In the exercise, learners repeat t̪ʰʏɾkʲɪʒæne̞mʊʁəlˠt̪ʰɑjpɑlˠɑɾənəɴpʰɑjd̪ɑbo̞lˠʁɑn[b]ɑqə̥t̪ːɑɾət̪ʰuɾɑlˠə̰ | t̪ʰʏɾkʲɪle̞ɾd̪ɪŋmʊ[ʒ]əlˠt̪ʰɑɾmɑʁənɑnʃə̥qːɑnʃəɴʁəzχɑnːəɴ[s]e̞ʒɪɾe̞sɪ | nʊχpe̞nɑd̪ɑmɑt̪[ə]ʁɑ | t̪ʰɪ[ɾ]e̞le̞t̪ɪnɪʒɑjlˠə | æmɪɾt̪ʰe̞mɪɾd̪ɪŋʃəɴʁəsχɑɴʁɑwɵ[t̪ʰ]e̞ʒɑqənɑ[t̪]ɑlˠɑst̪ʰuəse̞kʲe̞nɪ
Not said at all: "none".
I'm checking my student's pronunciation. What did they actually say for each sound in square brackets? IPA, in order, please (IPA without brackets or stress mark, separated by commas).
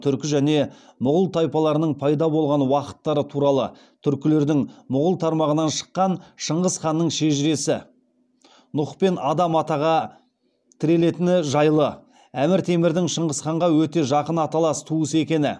w, ʁ, ʃ, ɑ, ɾ, t̪, t̪